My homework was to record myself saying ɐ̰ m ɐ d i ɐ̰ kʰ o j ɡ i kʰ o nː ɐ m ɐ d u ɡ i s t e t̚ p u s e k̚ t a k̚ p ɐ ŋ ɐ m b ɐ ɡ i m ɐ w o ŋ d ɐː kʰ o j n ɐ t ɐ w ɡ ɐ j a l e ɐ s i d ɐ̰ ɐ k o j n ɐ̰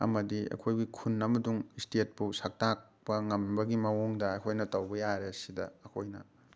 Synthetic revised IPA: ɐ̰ m ɐ d i ɐ̰ kʰ o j ɡ i kʰ u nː ɐ m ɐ d u ŋ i s t e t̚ p u s a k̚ t a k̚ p ɐ ŋ ɐ m b ɐ ɡ i m ɐ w o ŋ d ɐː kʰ o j n ɐ t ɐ w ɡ ɐ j a ɾ e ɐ s i d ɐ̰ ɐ kʰ o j n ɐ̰